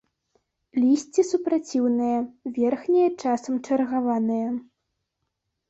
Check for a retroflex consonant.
present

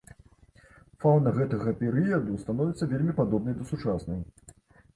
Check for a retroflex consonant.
present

